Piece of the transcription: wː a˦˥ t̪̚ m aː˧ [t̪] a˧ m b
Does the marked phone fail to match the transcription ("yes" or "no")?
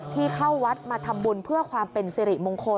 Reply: yes